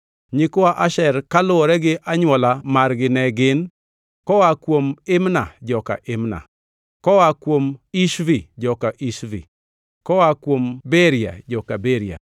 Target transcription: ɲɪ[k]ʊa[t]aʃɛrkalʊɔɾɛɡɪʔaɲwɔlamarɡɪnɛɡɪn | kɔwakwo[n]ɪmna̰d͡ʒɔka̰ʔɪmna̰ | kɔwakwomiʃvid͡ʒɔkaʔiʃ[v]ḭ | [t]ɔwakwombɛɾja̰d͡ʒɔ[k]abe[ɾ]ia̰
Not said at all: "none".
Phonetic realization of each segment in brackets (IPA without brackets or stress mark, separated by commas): k, ʔ, m, v, k, k, ɾ